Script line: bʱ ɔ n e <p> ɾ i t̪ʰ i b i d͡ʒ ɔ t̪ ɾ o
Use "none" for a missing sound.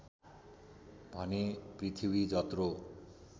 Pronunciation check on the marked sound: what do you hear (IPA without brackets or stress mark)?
p